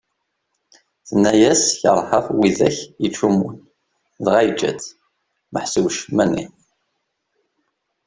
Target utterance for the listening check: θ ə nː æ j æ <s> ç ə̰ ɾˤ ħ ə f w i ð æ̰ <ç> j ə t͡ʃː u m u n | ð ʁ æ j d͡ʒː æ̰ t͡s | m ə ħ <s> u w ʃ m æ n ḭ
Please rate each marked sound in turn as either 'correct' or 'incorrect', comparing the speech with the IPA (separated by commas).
correct, correct, correct